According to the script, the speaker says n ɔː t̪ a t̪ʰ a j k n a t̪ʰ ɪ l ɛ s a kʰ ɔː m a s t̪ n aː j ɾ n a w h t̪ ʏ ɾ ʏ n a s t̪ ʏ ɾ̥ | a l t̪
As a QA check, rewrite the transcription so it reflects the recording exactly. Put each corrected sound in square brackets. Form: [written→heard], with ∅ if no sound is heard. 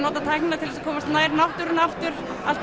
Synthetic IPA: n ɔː t̪ a t̪ʰ a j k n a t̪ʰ ɪ l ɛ s a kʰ ɔː m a s t̪ n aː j ɾ n a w h t̪ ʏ ɾ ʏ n a [s→f] t̪ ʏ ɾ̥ | a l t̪